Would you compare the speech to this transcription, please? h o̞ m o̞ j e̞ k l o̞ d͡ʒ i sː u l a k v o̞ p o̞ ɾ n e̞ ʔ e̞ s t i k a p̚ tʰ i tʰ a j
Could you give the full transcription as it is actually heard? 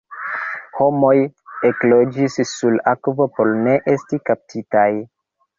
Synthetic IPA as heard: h o̞ m o̞ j e̞ k l o̞ d͡ʒ i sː u l a k v o̞ p o̞ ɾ n e̞ ʔ e̞ s t i k a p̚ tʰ i t a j